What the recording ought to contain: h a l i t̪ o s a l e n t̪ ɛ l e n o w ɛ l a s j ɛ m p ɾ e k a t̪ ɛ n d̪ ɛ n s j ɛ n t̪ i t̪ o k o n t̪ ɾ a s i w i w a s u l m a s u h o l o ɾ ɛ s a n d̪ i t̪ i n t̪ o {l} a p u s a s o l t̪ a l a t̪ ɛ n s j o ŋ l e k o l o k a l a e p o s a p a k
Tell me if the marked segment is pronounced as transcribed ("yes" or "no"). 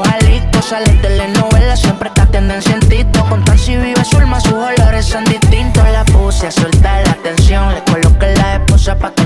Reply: yes